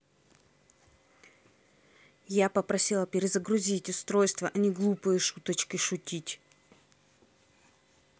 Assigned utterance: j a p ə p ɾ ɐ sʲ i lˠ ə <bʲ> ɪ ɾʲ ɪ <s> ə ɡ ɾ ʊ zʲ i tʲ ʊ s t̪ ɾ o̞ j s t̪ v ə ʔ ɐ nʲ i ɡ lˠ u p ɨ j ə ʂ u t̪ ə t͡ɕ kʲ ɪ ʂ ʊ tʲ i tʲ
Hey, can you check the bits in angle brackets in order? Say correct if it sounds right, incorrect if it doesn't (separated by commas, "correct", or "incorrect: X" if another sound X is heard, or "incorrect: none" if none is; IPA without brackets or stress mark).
incorrect: pʲ, incorrect: z